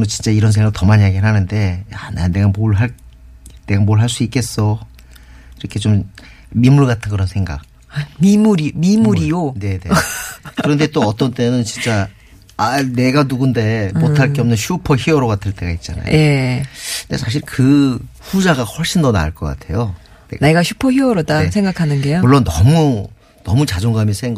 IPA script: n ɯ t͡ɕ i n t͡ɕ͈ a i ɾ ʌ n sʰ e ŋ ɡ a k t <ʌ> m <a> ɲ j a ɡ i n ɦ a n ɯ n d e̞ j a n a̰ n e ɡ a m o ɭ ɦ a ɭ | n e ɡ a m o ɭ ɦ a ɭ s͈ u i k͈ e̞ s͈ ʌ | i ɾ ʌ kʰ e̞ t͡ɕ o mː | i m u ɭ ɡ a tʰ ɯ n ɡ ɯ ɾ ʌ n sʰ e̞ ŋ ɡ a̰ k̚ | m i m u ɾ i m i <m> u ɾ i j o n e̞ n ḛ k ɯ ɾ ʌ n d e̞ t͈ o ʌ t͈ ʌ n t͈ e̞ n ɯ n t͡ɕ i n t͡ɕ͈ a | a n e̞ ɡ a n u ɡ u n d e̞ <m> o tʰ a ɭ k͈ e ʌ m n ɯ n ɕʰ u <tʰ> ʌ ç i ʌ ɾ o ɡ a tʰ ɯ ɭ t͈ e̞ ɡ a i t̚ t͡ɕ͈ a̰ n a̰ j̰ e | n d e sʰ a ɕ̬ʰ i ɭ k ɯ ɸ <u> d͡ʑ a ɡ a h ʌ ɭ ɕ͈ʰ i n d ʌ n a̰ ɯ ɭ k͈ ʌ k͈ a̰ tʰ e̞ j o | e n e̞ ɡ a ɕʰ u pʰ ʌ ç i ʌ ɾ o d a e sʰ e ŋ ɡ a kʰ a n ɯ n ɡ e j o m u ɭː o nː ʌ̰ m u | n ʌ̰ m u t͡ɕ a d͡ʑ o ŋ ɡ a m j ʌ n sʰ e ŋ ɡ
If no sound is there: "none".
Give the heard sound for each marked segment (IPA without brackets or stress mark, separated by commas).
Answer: ʌ, a, m, m, pʰ, u